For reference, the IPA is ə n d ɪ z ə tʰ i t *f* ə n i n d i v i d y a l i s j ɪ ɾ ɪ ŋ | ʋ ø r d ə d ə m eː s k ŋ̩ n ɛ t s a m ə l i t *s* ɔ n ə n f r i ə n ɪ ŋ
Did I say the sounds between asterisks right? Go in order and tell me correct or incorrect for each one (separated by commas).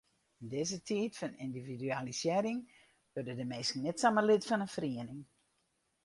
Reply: correct, incorrect